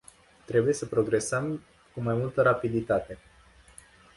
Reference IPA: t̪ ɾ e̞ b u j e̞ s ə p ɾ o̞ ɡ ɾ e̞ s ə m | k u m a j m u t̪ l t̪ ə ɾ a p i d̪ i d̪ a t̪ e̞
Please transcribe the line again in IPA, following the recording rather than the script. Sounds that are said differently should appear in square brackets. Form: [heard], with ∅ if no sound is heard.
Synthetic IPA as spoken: t̪ ɾ e̞ b u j e̞ s ə p ɾ o̞ ɡ ɾ e̞ s ə m | k u m a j m u [∅] l t̪ ə ɾ a p i d̪ i [t̪] a t̪ e̞

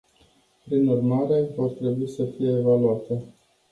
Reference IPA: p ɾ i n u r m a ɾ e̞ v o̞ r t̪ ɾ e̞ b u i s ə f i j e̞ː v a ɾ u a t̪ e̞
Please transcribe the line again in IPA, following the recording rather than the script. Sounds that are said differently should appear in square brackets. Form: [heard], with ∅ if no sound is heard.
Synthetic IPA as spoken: p ɾ i n u r m a ɾ e̞ v o̞ r t̪ ɾ e̞ b u i s ə f i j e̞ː v a [l] u a t̪ e̞

